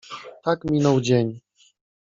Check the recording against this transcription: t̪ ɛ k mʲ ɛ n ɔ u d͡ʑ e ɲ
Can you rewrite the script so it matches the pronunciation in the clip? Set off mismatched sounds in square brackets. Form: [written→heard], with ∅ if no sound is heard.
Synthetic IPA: t̪ [ɛ→a] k mʲ [ɛ→i] n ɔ [u→w] d͡ʑ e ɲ